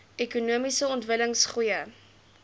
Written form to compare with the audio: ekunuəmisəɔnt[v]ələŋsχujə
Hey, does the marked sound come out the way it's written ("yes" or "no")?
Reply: yes